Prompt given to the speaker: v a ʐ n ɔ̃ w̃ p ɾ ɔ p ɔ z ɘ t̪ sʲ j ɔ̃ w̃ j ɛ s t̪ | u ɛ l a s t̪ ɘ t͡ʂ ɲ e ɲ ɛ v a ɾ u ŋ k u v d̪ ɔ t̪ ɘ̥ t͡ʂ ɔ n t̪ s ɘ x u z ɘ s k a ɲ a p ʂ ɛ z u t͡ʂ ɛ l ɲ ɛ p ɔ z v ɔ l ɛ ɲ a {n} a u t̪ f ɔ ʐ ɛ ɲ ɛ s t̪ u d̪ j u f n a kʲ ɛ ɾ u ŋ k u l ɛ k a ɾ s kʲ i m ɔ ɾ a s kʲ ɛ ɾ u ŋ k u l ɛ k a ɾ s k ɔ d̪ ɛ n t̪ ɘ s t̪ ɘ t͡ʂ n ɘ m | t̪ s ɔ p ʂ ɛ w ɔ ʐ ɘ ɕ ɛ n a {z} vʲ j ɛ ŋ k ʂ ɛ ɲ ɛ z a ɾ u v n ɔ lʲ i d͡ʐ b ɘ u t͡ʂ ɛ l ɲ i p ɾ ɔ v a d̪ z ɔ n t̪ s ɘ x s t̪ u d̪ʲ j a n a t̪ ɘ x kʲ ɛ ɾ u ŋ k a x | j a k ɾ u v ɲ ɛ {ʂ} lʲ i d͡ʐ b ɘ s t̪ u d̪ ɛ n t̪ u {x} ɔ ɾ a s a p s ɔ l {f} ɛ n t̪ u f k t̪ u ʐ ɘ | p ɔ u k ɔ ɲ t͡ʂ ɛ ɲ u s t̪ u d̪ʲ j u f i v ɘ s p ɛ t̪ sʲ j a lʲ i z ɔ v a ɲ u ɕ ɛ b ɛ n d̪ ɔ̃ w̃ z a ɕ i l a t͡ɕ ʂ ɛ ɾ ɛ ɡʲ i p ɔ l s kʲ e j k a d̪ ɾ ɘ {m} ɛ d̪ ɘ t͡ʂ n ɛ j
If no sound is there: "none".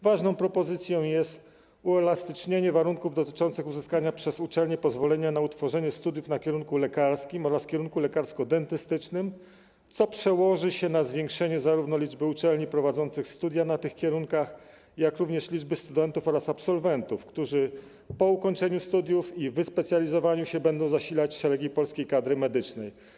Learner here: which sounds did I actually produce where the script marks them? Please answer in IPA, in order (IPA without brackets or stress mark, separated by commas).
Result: n, z, ʂ, f, v, m